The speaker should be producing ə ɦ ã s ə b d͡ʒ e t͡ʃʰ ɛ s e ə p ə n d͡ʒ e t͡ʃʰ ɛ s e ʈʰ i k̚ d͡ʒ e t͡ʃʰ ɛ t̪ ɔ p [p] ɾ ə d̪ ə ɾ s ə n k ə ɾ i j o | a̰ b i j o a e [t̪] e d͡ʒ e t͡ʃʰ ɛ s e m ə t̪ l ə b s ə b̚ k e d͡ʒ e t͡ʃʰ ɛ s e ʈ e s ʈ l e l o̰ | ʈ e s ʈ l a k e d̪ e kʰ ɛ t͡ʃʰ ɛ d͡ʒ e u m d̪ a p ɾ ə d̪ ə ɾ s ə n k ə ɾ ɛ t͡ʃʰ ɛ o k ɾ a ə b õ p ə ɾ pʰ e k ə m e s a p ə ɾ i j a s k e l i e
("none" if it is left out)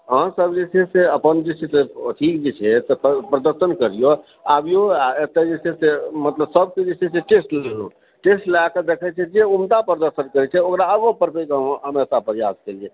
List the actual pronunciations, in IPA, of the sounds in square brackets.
p, t̪

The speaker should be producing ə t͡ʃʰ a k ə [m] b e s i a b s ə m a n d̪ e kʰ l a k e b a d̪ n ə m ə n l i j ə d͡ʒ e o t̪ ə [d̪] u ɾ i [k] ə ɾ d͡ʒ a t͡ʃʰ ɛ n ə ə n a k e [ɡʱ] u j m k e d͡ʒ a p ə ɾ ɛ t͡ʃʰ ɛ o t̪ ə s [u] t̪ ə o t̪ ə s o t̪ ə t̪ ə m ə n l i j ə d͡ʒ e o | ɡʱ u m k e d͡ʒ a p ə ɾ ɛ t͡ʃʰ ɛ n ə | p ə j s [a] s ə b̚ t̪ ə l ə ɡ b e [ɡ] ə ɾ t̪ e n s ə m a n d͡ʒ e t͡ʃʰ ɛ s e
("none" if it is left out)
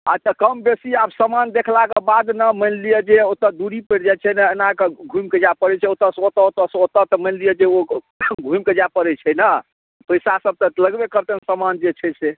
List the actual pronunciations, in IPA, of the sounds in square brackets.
m, d̪, p, ɡʱ, o, a, k

